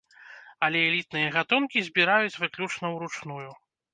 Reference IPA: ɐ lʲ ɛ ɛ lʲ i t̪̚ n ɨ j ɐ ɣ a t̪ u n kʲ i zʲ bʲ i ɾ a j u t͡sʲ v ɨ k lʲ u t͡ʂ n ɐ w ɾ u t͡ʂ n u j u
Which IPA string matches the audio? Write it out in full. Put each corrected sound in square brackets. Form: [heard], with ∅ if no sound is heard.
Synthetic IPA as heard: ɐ lʲ ɛ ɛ lʲ i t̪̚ n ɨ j ɐ ɣ a t̪ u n kʲ i zʲ bʲ i ɾ a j u t͡sʲ v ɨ k lʲ u t͡ʂ n ɐ w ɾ u t͡ʂ n u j u